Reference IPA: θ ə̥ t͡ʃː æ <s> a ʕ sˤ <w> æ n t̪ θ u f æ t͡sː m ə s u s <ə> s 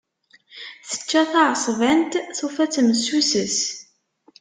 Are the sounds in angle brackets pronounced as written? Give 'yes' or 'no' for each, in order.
no, no, yes

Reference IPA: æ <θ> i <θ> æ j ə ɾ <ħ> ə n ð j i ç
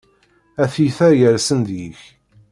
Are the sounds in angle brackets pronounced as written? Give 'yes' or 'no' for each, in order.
yes, yes, no

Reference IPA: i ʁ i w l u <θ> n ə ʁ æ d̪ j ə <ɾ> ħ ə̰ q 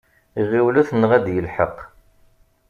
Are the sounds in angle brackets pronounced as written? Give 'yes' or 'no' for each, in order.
yes, no

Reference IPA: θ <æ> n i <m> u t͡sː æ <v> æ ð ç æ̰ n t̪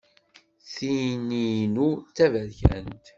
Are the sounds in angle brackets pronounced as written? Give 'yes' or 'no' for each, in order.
no, no, yes

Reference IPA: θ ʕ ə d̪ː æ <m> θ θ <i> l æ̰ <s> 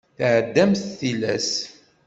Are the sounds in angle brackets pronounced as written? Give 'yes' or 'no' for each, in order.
yes, yes, yes

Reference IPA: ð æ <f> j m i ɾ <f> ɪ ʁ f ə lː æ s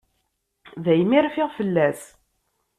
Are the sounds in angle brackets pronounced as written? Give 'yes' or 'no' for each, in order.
no, yes

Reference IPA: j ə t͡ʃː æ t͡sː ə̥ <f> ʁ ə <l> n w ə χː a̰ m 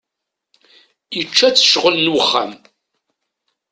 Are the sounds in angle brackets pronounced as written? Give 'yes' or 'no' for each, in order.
no, yes

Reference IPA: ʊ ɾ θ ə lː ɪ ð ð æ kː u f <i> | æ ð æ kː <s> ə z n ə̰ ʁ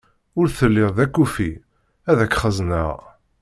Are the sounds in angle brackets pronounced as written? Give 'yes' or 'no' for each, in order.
yes, no

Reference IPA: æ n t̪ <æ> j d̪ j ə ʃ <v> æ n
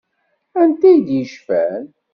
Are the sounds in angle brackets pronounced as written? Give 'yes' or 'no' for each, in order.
yes, no

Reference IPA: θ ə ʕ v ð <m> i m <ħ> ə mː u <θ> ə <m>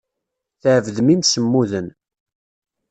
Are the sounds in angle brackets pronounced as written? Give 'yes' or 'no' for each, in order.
yes, no, no, no

